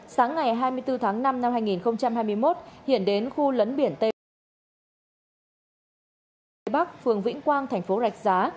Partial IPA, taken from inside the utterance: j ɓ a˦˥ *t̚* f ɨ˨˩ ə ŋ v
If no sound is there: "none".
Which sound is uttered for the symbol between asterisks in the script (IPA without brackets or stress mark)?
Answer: k̚